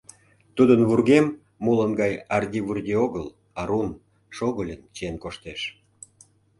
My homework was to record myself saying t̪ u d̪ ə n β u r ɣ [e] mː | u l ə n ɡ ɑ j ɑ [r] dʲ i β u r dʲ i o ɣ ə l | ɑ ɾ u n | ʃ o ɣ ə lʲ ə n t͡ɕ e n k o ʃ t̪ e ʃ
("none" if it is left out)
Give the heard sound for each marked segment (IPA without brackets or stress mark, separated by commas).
e, r